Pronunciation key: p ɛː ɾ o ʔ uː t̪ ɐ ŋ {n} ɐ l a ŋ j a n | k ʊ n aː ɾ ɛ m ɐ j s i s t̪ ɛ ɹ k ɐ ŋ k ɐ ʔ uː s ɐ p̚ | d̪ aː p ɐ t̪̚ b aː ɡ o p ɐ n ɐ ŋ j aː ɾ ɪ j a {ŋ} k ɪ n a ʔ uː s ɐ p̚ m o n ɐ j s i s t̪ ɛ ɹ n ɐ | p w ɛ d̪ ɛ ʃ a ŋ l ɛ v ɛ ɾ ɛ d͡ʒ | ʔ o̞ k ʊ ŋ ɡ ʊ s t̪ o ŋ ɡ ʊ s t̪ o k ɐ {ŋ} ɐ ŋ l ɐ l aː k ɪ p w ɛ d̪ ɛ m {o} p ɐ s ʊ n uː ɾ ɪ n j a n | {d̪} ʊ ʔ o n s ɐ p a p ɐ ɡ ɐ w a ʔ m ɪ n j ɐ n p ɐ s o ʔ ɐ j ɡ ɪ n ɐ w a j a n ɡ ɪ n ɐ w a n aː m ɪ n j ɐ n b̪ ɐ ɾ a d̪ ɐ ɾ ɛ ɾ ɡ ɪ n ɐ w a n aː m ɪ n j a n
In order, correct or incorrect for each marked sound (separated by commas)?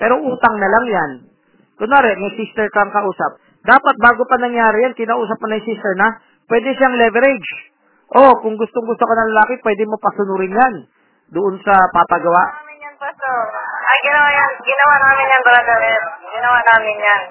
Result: correct, incorrect, incorrect, correct, correct